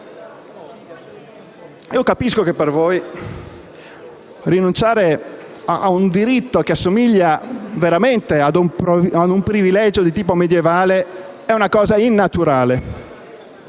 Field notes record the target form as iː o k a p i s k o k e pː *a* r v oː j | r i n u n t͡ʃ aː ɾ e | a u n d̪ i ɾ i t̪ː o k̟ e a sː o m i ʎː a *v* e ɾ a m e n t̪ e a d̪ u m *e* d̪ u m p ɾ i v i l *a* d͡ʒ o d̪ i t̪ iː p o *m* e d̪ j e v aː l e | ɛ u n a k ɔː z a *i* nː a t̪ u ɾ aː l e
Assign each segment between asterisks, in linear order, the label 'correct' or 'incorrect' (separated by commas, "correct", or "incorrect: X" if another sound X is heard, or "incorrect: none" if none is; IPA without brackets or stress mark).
incorrect: e, correct, incorrect: a, incorrect: ɛ, correct, correct